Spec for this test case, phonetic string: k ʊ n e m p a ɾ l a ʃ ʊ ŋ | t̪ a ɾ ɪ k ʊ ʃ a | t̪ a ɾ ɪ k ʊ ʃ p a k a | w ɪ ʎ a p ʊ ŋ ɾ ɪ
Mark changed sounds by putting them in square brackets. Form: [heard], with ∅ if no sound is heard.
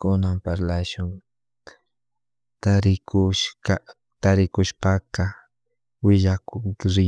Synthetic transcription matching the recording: k ʊ n [a] m p a ɾ l a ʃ ʊ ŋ | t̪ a ɾ ɪ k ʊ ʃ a | t̪ a ɾ ɪ k ʊ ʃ p a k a | w ɪ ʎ a [k] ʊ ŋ ɾ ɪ